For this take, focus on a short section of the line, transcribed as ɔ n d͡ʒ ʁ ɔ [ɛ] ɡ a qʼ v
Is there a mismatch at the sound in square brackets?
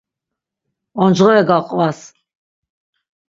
no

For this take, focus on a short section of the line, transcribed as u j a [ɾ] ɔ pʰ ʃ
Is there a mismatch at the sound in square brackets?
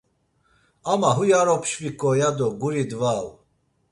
no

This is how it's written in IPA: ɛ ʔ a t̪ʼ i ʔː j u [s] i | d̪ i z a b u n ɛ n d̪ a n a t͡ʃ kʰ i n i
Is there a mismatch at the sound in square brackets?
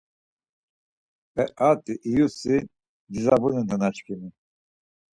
no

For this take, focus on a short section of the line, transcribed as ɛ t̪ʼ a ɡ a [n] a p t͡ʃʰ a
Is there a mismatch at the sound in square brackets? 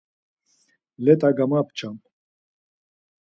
yes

